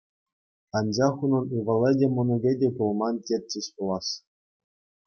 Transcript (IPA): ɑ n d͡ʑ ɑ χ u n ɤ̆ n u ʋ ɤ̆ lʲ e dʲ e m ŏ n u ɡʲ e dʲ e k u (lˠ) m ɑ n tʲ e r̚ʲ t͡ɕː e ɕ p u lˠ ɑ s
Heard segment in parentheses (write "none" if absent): lˠ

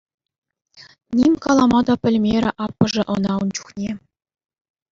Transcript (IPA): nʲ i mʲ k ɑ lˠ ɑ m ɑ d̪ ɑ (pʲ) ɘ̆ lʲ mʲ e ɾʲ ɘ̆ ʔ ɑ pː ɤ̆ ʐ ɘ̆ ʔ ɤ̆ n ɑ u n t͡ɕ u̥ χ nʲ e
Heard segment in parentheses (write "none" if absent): pʲ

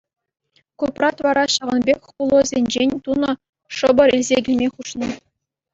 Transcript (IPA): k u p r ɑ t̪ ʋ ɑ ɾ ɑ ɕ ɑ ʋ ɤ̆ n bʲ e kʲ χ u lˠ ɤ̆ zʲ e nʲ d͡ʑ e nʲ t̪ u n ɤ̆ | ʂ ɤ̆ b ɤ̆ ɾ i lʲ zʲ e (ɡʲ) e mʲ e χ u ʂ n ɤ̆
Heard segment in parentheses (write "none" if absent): ɡʲ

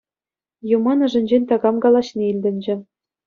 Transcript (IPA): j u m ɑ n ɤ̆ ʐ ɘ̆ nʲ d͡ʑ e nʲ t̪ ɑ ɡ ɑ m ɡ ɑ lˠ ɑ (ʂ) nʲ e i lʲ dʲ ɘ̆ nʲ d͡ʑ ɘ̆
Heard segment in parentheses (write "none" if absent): ɕ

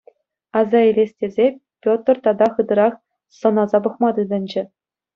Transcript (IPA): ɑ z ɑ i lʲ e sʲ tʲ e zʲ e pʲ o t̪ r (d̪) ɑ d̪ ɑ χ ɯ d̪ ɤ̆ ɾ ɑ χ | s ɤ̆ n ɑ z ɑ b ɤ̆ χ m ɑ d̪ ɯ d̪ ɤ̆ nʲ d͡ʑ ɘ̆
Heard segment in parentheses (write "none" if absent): t̪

